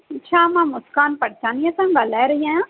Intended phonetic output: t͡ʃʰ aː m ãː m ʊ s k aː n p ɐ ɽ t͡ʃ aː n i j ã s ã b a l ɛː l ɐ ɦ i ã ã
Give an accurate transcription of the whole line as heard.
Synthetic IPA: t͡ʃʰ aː m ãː m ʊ s k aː n p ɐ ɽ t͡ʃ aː n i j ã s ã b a l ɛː ɾ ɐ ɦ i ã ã